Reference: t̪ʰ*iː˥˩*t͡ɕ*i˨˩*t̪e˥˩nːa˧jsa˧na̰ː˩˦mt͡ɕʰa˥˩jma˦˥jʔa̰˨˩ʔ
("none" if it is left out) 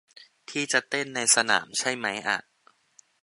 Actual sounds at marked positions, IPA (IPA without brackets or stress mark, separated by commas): iː˥˩, a˨˩